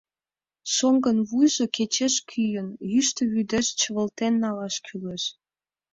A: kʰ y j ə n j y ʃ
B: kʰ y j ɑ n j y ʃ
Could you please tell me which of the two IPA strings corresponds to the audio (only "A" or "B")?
A